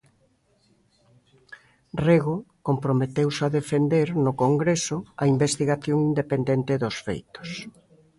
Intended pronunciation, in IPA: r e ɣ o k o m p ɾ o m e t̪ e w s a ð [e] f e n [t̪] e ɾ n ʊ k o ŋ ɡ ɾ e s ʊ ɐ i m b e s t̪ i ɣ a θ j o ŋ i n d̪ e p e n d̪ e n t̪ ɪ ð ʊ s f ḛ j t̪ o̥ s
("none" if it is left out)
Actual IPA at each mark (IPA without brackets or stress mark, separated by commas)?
e, d̪